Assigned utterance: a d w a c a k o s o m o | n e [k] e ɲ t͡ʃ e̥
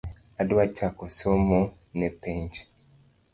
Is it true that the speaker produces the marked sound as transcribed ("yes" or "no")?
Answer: no